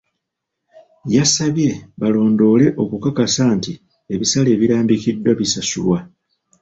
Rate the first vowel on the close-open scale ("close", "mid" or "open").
open